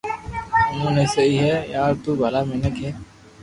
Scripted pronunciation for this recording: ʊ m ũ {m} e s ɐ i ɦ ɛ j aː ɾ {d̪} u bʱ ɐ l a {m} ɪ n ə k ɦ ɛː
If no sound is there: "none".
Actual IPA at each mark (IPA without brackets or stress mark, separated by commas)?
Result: n, t̪, m